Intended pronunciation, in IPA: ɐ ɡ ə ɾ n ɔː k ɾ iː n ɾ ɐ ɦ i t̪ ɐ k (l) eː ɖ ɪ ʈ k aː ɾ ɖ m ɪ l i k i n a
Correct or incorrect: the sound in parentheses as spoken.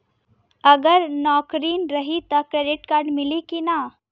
incorrect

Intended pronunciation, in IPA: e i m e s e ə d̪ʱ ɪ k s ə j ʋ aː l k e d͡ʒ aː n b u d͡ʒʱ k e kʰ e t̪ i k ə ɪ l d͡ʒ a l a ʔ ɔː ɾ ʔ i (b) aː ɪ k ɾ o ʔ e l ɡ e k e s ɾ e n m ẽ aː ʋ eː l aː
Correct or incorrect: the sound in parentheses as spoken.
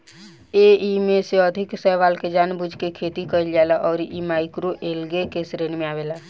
incorrect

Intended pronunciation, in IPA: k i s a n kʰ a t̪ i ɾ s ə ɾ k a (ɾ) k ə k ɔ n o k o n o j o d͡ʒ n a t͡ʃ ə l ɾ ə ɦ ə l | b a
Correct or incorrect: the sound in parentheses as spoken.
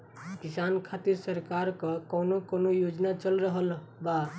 correct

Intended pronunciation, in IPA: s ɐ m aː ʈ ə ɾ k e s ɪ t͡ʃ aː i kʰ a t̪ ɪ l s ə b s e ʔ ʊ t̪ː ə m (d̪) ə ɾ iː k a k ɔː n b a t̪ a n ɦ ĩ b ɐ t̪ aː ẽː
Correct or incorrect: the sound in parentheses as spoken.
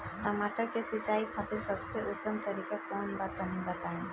incorrect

